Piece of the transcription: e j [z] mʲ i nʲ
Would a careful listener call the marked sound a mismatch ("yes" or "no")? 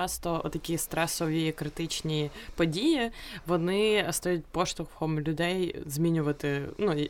no